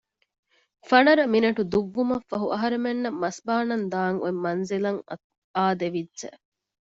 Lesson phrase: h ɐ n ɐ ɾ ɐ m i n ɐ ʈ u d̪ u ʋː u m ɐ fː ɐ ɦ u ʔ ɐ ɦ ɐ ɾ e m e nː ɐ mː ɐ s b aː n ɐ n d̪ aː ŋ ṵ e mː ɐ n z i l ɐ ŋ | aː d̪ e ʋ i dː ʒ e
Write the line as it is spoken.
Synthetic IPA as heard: f ɐ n ɐ ɾ ɐ m i n ɐ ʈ u d̪ u ʋː u m ɐ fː ɐ ɦ u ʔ ɐ ɦ ɐ ɾ e m e nː ɐ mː ɐ s b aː n ɐ n d̪ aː ŋ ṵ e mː ɐ n z i l ɐ ŋ | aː d̪ e ʋ i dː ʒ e